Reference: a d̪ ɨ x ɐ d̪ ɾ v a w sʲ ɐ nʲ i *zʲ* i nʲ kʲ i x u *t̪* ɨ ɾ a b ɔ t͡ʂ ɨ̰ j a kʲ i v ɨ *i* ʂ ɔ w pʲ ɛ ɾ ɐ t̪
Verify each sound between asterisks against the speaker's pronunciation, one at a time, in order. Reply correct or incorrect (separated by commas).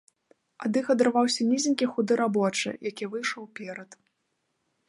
correct, incorrect, incorrect